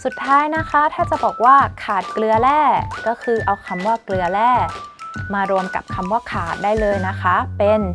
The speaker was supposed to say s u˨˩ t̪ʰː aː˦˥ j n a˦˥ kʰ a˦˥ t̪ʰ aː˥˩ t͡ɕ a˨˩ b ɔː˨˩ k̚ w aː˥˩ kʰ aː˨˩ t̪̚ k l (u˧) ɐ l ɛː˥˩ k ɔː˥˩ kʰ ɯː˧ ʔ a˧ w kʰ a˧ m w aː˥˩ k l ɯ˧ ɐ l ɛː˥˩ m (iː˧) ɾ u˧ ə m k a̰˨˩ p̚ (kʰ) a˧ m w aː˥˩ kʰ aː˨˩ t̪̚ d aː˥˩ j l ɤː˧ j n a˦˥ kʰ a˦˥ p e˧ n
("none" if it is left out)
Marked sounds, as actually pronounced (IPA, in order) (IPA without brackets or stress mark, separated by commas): ɯ˧, aː˧, kʰ